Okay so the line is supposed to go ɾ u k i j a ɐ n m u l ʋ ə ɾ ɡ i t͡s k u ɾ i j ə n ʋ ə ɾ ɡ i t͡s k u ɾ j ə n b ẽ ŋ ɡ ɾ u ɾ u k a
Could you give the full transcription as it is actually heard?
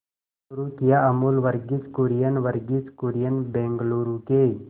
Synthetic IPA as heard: ɾ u k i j a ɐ m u l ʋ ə ɾ ɡ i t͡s k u ɾ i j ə n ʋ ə ɾ ɡ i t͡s k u ɾ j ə n b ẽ ŋ ɡ l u ɾ u k e